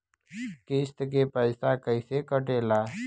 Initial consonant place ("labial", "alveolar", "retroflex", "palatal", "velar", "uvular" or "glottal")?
velar